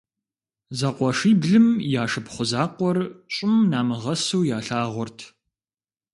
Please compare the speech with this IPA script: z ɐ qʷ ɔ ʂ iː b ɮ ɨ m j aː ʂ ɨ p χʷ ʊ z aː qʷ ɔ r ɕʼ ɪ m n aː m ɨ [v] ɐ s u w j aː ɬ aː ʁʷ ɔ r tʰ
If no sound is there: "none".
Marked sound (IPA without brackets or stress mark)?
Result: ʁ